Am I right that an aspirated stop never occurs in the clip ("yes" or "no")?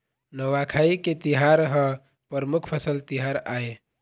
no